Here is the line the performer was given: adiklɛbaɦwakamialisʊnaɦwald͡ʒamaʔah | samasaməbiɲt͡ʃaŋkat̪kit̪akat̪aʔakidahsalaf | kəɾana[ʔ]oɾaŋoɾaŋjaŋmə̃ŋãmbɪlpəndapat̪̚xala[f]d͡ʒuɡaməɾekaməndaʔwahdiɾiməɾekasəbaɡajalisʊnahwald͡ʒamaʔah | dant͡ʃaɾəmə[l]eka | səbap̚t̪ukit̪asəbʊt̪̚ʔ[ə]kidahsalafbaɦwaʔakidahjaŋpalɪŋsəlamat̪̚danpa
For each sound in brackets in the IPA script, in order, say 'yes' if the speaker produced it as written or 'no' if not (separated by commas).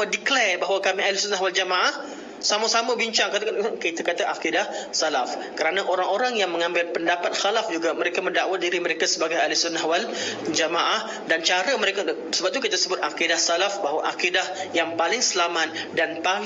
yes, yes, no, no